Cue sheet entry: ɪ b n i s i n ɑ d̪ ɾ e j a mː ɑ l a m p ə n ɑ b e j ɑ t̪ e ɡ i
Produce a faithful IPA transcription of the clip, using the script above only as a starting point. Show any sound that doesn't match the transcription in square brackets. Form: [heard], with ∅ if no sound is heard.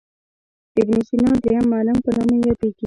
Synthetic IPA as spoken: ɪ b n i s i n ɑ d̪ ɾ e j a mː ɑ l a m p ə n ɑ [m] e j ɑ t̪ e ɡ i